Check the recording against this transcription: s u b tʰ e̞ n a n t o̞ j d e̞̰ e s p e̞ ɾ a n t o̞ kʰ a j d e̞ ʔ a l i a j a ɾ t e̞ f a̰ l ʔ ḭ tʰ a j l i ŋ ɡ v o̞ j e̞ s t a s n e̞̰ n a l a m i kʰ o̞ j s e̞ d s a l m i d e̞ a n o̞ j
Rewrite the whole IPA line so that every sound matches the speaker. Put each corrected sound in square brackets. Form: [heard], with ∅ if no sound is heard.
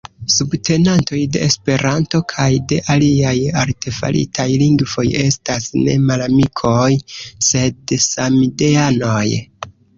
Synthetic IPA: s u b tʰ e̞ n a n t o̞ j d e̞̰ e s p e̞ ɾ a n t o̞ kʰ a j d e̞ ʔ a l i a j a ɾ t e̞ f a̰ l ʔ ḭ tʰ a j l i ŋ ɡ v o̞ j e̞ s t a s n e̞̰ [m] a l a m i kʰ o̞ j s e̞ d s a [∅] m i d e̞ a n o̞ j